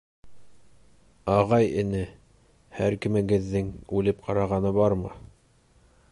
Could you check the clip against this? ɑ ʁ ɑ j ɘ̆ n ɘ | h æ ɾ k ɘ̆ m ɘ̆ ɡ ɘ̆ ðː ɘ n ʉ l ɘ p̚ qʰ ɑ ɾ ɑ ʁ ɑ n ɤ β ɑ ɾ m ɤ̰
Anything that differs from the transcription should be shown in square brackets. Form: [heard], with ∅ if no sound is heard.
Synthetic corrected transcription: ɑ ʁ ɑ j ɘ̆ n ɘ | h æ ɾ k ɘ̆ m ɘ̆ ɡ ɘ̆ ðː ɘ [ŋ] ʉ l ɘ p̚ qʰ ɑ ɾ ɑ ʁ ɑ n ɤ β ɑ ɾ m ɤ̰